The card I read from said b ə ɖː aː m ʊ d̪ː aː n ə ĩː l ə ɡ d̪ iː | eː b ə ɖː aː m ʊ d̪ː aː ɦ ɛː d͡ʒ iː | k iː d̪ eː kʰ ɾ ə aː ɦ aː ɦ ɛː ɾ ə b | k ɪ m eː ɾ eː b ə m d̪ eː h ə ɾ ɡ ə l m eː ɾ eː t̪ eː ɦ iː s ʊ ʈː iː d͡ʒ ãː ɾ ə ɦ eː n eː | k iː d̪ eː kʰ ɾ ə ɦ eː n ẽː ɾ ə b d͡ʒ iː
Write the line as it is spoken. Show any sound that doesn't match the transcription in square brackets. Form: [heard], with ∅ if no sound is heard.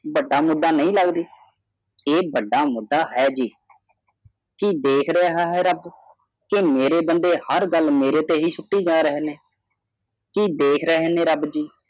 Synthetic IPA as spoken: b ə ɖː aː m ʊ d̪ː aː n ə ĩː l ə ɡ d̪ iː | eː b ə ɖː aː m ʊ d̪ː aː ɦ ɛː d͡ʒ iː | k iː d̪ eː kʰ ɾ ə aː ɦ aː ɦ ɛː ɾ ə b | k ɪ m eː ɾ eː b ə [n] d̪ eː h ə ɾ ɡ ə l m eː ɾ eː t̪ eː ɦ iː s ʊ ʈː iː d͡ʒ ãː ɾ ə ɦ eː n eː | k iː d̪ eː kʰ ɾ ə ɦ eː n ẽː ɾ ə b d͡ʒ iː